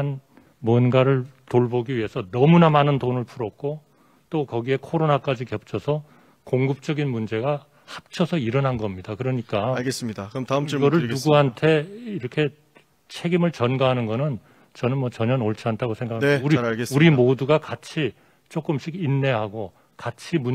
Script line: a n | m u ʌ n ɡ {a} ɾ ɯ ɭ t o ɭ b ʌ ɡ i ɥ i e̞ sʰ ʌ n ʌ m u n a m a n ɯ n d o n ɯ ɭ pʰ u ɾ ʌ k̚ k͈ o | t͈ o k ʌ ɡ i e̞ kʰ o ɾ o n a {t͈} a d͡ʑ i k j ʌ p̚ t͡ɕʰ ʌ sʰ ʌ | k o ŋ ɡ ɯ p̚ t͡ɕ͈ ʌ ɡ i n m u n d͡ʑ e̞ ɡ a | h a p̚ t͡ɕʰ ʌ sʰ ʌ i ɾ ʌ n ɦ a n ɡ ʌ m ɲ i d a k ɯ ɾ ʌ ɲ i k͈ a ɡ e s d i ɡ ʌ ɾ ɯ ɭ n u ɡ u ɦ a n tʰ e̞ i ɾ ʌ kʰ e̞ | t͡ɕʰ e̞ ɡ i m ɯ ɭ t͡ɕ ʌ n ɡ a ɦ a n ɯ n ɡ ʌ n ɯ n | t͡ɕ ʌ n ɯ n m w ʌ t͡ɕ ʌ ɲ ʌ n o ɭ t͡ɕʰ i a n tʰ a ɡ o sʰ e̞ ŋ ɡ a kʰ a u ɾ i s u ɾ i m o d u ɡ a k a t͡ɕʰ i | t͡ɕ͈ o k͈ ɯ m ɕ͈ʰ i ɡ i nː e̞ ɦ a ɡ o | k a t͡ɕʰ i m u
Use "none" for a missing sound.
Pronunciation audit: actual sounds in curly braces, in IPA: a, k͈

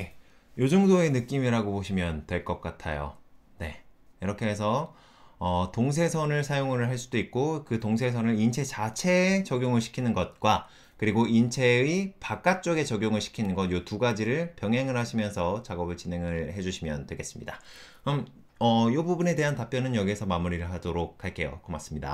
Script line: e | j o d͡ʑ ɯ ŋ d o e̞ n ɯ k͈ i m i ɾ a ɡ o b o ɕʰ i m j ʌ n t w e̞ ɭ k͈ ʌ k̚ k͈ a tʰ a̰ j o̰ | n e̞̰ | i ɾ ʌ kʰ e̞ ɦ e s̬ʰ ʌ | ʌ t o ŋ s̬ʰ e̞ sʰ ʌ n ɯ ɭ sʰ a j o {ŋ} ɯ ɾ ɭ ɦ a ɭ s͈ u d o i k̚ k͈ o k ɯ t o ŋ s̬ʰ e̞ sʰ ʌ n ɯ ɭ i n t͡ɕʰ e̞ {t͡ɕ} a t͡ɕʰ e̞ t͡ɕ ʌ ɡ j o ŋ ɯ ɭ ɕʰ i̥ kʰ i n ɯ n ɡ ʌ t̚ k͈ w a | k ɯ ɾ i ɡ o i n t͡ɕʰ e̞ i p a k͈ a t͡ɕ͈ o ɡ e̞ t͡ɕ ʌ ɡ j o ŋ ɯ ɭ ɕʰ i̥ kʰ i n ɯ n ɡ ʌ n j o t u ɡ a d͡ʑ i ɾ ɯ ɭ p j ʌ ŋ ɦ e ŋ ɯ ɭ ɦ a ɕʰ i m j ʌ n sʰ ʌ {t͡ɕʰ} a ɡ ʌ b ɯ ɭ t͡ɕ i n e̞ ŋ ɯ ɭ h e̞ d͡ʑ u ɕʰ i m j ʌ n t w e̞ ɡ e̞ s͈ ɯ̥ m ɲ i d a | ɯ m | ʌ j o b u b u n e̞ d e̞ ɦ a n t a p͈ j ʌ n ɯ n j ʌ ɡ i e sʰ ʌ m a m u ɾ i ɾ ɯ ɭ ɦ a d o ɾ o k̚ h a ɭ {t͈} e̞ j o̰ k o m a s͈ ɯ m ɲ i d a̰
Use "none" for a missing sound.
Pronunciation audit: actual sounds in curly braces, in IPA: ŋ, t͡ɕ, t͡ɕ, k͈

